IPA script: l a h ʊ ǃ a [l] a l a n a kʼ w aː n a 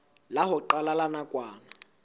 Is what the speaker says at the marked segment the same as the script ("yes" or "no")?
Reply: yes